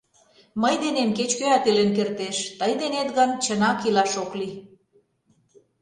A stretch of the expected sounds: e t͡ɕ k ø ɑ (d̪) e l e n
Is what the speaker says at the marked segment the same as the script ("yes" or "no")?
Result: no